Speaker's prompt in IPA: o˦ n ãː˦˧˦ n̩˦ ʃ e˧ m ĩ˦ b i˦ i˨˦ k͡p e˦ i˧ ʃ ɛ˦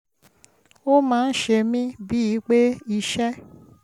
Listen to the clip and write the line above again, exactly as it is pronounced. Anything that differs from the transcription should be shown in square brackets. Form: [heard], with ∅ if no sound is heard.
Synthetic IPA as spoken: o˦ [m] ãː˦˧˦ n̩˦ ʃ e˧ m ĩ˦ b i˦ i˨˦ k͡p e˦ i˧ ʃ ɛ˦